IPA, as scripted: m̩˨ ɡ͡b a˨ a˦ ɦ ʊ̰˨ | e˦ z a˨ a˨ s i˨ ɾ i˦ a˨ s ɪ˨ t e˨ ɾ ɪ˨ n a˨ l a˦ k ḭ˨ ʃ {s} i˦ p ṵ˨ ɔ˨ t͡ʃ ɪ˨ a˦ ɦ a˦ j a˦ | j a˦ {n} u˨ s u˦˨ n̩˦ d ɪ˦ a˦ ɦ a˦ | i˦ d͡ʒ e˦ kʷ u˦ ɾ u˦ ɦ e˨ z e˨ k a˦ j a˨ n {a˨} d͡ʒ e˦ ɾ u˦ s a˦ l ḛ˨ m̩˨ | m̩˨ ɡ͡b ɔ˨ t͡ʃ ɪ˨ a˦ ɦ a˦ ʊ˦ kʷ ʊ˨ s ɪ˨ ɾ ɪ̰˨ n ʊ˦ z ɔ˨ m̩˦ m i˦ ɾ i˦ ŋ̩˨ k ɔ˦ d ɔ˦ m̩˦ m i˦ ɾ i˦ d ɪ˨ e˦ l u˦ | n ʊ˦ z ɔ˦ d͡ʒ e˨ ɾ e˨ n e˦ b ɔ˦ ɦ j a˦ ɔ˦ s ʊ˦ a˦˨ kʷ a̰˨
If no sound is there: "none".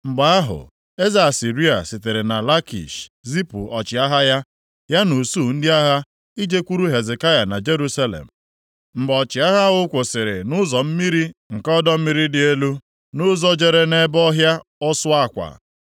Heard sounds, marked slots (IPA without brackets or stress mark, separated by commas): z, n, a˨